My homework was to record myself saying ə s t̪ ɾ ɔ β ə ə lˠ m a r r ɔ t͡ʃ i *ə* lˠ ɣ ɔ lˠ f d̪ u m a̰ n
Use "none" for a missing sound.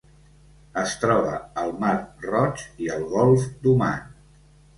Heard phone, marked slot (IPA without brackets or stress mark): ə